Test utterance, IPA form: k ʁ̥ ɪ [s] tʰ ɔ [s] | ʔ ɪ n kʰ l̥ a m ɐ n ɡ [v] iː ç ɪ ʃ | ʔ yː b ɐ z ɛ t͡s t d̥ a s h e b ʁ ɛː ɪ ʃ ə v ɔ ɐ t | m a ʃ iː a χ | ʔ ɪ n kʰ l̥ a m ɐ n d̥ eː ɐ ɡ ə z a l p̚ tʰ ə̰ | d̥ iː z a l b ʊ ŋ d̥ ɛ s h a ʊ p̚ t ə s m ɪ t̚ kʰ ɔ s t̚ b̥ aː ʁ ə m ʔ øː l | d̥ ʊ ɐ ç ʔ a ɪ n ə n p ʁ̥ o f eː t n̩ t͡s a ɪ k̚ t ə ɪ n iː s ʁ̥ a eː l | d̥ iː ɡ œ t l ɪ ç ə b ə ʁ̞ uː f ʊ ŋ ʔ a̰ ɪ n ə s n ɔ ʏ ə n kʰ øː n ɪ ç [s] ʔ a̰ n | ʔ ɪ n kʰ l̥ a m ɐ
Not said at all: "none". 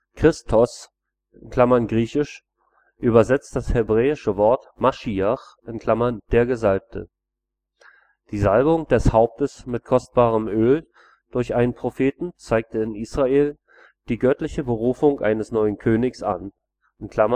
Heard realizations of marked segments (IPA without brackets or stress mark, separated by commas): s, s, ʁ, s